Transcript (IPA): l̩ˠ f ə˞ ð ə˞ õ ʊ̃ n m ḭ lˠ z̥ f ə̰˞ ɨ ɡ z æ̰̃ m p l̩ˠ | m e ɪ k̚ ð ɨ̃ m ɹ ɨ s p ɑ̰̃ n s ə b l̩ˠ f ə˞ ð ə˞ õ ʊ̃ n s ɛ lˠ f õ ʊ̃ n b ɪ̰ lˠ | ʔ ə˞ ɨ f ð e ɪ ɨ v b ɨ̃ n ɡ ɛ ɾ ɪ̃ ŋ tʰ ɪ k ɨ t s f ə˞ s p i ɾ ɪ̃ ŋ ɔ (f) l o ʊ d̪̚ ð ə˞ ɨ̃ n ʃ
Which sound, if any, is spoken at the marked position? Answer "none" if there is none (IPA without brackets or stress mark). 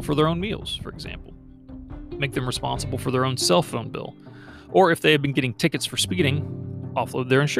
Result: f